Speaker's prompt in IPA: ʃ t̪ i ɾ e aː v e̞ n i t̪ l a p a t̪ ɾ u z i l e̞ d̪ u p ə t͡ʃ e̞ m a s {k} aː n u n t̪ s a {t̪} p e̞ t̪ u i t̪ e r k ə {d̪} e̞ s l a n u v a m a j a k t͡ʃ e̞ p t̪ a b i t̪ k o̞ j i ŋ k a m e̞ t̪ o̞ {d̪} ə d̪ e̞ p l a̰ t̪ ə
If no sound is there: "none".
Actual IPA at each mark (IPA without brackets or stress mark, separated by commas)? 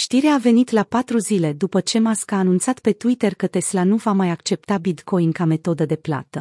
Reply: k, t̪, t̪, d̪